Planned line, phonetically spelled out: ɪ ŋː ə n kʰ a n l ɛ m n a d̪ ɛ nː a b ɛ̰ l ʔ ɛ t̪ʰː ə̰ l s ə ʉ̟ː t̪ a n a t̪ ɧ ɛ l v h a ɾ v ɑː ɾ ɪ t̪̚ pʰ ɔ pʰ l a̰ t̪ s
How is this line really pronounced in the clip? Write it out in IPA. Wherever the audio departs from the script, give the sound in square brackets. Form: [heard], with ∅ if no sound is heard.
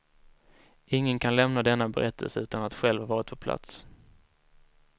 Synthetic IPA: ɪ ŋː ə n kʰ a n l ɛ m n a d̪ ɛ nː a b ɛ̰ [ɾ] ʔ ɛ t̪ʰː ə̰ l s ə ʉ̟ː t̪ a n a t̪ ɧ ɛ l v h a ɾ v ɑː ɾ ɪ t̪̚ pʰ ɔ pʰ l a̰ t̪ s